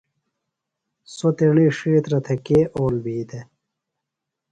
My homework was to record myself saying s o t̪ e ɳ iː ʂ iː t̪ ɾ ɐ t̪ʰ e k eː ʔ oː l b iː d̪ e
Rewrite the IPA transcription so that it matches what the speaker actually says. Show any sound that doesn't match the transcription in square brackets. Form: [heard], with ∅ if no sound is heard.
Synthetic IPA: s o t̪ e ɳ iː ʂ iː t̪ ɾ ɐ t̪ʰ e k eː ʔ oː l b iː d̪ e